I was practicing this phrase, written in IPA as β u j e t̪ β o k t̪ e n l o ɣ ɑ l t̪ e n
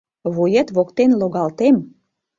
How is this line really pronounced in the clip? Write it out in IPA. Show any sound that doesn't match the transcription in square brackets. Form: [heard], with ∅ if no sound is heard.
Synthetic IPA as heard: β u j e t̪ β o k t̪ e n l o ɣ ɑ l t̪ e [m]

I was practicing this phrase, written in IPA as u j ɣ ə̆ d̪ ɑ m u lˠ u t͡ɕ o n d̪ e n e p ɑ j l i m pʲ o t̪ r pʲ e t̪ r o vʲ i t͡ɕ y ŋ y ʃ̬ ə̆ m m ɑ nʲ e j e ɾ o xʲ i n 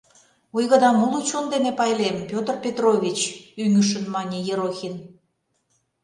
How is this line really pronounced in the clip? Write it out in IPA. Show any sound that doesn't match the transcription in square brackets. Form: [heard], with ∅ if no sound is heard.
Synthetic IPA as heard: u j ɣ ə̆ d̪ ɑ m u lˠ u t͡ɕ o n d̪ e n e p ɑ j l [e] m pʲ o t̪ r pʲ e t̪ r o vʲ i t͡ɕ y ŋ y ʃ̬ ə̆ [n] m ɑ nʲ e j e ɾ o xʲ i n

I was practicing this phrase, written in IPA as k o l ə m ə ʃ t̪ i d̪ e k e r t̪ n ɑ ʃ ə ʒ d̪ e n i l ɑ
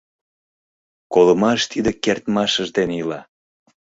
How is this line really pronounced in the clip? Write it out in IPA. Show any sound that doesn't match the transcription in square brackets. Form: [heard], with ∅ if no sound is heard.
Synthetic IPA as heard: k o l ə m [ɑ] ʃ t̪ i d̪ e k e r t̪ [m] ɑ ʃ ə ʒ d̪ e n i l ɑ

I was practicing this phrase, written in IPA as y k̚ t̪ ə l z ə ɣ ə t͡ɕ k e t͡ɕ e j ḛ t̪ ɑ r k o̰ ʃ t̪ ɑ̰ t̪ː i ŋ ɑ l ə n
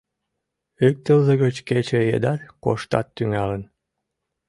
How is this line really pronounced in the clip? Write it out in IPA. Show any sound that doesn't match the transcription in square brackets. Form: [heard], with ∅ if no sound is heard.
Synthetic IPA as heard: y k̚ t̪ ə l z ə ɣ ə t͡ɕ k e t͡ɕ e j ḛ [d̪] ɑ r k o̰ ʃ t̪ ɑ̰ t̪ː [y] ŋ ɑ l ə n

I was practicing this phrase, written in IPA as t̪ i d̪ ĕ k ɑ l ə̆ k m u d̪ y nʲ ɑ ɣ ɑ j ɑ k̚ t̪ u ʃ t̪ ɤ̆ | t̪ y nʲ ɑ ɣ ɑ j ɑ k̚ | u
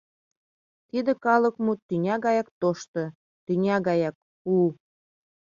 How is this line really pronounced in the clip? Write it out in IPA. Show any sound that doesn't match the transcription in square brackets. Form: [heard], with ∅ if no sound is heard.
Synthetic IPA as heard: t̪ i d̪ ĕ k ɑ l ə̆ k m u [t̪] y nʲ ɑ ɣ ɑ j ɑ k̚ t̪ [o] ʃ t̪ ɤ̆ | t̪ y nʲ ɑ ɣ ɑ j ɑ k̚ | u

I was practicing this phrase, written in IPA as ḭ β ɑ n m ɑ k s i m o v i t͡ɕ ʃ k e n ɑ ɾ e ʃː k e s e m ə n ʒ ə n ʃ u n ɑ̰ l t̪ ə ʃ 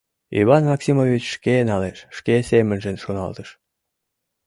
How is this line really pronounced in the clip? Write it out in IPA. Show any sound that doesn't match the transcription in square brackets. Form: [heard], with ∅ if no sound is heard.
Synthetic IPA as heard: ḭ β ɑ n m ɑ k s i m o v i t͡ɕ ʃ k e n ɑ [l] e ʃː k e s e m ə n ʒ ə n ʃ [o] n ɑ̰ l t̪ ə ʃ

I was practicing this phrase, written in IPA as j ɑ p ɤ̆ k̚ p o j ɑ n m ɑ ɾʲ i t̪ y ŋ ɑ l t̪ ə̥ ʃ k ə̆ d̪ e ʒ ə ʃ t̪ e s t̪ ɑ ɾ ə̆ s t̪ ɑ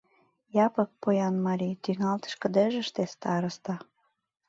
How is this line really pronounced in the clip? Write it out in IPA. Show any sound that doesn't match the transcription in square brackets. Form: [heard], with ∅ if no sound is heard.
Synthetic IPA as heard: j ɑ p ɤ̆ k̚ p o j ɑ n m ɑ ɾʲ i t̪ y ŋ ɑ l t̪ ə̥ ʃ k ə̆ d̪ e ʒ ə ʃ t̪ e s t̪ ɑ ɾ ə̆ s t̪ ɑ

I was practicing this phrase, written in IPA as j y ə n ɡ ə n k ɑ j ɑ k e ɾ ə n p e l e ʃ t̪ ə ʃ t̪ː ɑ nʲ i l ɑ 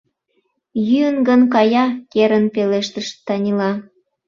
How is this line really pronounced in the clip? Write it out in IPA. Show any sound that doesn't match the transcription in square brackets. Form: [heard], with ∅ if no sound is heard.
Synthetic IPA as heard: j y ə n ɡ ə n k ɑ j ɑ k e ɾ ə n p e l e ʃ t̪ ə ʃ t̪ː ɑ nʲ i l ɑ

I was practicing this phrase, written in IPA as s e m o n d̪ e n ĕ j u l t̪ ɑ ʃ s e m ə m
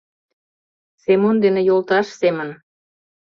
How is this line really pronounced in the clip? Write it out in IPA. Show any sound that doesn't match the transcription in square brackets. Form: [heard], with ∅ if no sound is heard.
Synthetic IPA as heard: s e m o n d̪ e n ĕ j [o] l t̪ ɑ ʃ s e m ə [n]

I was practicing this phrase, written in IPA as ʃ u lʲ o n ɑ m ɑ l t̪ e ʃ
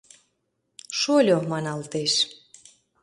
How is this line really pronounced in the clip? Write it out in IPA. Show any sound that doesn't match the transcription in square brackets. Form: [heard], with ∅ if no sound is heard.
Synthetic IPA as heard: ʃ [o] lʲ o [m] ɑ [n] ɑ l t̪ e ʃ

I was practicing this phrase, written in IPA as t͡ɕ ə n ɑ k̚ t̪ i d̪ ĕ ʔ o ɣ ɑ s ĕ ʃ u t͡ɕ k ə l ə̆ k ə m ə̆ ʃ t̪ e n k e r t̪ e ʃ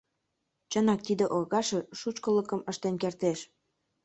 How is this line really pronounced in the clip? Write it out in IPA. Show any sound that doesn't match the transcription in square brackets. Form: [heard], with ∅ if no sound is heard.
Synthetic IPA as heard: t͡ɕ ə n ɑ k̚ t̪ i d̪ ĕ ʔ o ɣ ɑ [ʃ] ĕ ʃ u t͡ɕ k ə l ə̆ k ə m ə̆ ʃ t̪ e n k e r t̪ e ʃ

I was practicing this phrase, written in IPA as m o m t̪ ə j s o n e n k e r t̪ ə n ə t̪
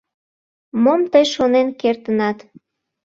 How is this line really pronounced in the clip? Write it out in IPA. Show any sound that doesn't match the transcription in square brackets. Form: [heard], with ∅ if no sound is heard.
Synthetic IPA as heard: m o m t̪ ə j [ʃ] o n e n k e r t̪ ə n [ɑ] t̪

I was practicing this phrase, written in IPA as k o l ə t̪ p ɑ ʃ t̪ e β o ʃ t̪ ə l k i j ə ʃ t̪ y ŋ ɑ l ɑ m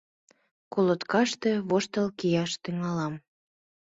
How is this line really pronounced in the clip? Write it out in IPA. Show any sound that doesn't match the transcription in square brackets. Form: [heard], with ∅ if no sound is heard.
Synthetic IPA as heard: k o l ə t̪ [k] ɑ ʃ t̪ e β o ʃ t̪ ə l k i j [ɑ] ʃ t̪ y ŋ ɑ l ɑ m

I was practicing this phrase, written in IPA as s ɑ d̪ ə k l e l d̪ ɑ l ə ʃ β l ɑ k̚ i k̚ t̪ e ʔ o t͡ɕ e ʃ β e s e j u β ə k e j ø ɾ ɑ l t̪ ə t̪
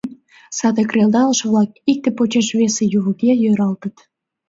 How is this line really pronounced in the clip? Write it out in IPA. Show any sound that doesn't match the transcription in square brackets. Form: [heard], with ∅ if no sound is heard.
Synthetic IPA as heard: s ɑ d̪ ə k [r] e l d̪ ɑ l ə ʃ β l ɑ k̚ i k̚ t̪ e [p] o t͡ɕ e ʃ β e s e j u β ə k e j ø ɾ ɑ l t̪ ə t̪

